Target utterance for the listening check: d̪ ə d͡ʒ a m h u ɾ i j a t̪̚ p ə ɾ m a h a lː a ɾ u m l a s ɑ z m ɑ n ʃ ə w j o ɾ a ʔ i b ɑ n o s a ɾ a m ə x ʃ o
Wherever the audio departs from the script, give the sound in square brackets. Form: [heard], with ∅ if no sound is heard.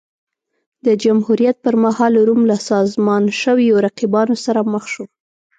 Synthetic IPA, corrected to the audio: d̪ ə d͡ʒ a m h u ɾ i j a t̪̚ p ə ɾ m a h [ɑ] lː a ɾ u m l a s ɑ z m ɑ n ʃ ə w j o ɾ a [q] i b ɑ n o s a ɾ a m ə x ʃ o